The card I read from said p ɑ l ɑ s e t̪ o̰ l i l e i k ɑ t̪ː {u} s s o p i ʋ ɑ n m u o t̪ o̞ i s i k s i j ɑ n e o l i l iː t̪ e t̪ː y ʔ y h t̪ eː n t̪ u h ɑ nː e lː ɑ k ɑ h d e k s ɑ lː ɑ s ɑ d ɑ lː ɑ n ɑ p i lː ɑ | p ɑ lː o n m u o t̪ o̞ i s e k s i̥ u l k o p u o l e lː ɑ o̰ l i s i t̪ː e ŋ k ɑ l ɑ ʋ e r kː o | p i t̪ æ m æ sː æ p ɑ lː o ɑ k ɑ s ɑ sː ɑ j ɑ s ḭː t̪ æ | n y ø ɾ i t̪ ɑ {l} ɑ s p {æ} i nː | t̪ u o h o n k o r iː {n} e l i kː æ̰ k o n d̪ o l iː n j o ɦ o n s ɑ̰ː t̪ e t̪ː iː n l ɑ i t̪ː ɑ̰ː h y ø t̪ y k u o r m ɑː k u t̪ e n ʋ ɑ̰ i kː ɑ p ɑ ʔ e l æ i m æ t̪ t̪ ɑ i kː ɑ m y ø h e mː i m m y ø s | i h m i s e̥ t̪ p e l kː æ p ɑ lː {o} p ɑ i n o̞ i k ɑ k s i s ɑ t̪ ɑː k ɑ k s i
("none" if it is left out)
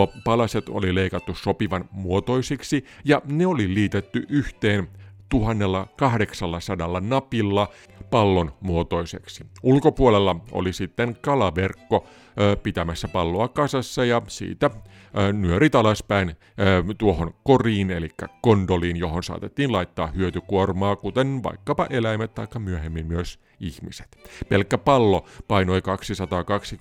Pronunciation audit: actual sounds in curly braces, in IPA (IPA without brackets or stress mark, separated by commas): u, l, æ, n, o